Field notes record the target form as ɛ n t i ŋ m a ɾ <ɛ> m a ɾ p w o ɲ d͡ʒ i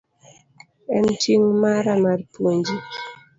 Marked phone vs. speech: incorrect: a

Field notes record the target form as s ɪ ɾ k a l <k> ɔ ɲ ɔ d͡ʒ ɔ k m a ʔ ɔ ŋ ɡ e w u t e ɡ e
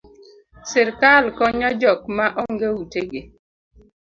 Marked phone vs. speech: correct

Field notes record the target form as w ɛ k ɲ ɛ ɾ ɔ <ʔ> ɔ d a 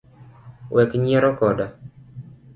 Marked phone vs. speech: incorrect: k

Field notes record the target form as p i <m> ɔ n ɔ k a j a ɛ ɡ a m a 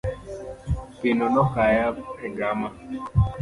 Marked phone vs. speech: incorrect: n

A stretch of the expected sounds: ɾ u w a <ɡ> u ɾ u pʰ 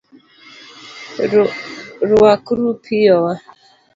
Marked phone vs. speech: incorrect: k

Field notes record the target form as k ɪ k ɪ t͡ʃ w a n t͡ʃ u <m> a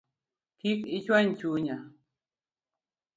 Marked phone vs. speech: incorrect: ɲ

